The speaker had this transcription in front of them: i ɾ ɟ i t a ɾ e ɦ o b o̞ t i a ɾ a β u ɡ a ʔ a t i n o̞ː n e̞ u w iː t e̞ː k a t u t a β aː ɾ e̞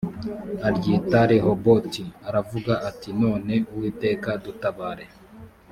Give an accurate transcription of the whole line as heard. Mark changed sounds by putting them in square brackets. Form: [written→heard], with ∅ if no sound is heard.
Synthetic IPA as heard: [i→a] ɾ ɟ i t a ɾ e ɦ o b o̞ t i a ɾ a [β→v] u ɡ a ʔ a t i n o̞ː n e̞ u w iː t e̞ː k a [t→d] u t a β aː ɾ e̞